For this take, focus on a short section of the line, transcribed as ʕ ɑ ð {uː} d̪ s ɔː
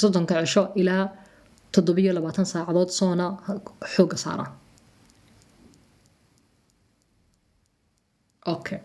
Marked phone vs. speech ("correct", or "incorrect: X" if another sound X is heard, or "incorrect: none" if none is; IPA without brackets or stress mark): incorrect: ɔː